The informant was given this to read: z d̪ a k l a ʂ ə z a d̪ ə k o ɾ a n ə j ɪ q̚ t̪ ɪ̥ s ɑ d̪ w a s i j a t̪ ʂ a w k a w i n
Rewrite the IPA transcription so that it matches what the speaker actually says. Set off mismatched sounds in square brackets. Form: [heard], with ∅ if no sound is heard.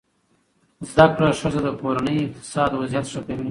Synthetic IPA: z d̪ a k [ɽ] a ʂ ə z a d̪ ə k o ɾ a n ə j ɪ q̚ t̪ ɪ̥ s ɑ d̪ w a [z] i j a t̪ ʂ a [∅] k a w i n